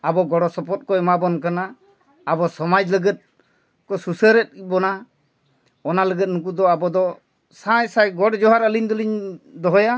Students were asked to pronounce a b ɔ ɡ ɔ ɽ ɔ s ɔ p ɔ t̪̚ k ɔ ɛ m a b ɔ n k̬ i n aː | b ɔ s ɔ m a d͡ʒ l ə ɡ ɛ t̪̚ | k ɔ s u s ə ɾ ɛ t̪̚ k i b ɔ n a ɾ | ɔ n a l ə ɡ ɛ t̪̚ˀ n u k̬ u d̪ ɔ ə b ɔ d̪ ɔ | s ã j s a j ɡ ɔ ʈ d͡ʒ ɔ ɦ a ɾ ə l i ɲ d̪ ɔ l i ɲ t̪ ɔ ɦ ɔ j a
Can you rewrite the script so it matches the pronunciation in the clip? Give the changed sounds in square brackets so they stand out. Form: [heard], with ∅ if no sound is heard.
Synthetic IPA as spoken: a b ɔ ɡ ɔ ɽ ɔ s ɔ p ɔ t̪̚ k ɔ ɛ m a b ɔ n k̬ [a] n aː | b ɔ s ɔ m a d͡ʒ l ə ɡ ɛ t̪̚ | k ɔ s u s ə ɾ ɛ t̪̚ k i b ɔ n a [∅] | ɔ n a l ə ɡ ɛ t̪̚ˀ n u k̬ u d̪ ɔ [a] b ɔ d̪ ɔ | s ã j s a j ɡ ɔ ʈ d͡ʒ ɔ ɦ a ɾ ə l i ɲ d̪ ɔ l i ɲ [d̪] ɔ ɦ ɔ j a